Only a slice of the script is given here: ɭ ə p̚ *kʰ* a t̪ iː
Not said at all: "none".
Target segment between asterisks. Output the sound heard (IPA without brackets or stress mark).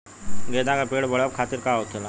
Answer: kʰ